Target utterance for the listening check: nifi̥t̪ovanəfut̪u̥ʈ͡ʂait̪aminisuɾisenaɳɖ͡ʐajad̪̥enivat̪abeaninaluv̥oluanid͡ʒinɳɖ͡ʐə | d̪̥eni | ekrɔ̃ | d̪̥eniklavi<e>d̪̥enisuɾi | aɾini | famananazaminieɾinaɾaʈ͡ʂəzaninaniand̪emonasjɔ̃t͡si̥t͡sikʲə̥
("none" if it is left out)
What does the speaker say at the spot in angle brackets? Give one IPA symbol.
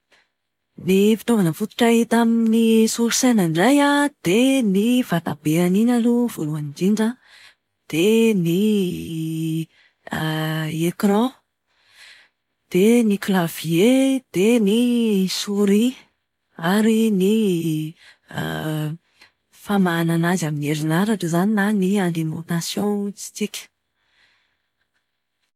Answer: e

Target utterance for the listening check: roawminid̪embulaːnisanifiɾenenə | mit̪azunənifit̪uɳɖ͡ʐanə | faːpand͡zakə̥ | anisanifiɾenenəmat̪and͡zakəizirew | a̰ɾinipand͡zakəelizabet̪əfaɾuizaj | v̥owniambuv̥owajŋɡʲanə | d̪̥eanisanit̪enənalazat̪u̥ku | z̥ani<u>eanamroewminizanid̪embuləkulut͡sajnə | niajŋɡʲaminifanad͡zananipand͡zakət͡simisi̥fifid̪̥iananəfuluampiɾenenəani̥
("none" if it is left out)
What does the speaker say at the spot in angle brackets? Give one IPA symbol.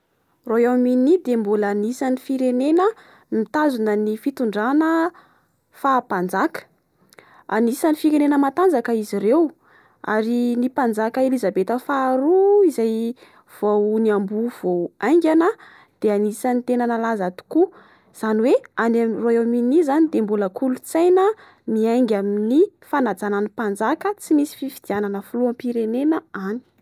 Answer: w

